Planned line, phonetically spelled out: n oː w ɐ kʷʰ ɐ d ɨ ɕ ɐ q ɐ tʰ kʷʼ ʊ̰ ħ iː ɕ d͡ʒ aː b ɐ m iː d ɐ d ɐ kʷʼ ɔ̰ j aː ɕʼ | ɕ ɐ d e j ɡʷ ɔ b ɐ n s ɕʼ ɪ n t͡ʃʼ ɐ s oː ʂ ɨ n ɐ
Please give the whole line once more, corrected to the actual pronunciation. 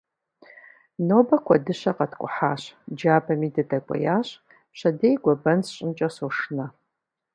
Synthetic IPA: n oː b ɐ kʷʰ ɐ d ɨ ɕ ɐ q ɐ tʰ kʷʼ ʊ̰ ħ aː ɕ d͡ʒ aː b ɐ m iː d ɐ d ɐ kʷʼ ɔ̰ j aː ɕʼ | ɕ ɐ d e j ɡʷ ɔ b ɐ n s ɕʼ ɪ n t͡ʃʼ ɐ s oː ʂ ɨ n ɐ